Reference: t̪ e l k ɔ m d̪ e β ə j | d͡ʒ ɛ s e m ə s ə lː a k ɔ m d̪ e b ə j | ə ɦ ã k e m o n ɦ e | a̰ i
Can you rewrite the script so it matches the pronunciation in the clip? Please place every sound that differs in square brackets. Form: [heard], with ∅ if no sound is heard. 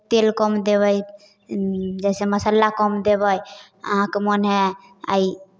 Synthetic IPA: t̪ e l k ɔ m d̪ e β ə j | d͡ʒ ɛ s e m ə s ə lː a k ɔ m d̪ e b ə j | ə ɦ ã k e m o n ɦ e | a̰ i